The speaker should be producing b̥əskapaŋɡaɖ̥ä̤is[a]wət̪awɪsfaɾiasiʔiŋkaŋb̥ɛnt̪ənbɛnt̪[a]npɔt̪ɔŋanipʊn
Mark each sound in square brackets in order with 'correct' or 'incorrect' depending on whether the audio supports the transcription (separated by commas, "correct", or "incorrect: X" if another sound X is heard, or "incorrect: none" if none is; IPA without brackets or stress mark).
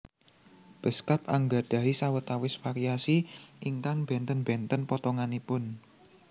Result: correct, incorrect: ə